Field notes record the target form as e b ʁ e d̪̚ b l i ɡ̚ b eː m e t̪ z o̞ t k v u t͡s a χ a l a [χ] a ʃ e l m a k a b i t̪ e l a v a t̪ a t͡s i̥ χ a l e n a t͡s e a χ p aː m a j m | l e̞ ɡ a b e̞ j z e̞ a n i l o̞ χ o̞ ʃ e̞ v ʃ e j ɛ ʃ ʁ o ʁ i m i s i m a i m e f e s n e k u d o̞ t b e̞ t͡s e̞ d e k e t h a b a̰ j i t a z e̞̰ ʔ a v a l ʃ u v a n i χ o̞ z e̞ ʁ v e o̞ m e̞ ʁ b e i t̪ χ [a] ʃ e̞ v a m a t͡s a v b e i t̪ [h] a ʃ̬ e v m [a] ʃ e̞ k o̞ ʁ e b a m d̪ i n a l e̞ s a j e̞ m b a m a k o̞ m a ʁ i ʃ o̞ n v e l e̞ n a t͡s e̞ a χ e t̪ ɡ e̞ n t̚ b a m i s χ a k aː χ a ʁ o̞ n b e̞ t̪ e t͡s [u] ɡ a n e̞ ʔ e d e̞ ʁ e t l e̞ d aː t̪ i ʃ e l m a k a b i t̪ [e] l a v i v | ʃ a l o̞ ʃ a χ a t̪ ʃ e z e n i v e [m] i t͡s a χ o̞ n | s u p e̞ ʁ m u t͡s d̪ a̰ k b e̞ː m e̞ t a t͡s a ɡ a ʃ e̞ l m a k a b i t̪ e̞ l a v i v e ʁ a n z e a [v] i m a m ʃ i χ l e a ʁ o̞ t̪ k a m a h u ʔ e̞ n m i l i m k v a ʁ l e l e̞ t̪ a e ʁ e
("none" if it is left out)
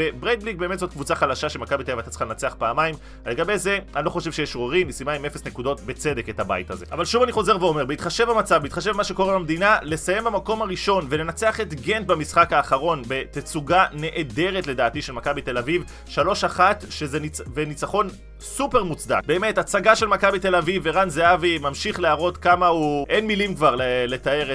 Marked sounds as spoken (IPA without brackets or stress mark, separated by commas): ʃ, a, χ, a, u, e, n, v